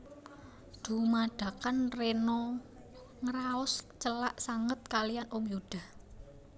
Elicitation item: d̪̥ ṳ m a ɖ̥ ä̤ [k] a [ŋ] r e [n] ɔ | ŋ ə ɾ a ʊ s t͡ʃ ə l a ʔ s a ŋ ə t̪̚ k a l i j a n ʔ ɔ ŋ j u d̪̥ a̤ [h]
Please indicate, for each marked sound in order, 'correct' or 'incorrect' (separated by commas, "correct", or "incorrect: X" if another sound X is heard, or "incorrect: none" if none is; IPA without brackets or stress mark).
correct, incorrect: n, correct, correct